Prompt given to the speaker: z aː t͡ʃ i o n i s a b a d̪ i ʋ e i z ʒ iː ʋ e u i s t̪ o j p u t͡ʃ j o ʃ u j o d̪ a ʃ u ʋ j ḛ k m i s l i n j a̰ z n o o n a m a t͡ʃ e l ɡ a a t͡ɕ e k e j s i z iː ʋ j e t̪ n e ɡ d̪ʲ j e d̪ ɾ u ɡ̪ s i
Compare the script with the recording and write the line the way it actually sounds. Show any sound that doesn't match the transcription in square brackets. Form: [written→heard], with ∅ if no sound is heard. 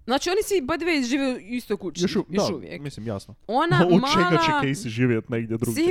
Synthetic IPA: z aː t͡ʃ i o n i s [a→i] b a d̪ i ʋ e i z ʒ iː ʋ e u i s t̪ o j [p→k] u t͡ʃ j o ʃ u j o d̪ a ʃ u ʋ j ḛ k m i s l i [n→m] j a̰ [z→s] n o o n a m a t͡ʃ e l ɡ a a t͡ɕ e k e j s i [z→ʒ] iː ʋ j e t̪ n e ɡ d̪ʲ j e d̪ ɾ u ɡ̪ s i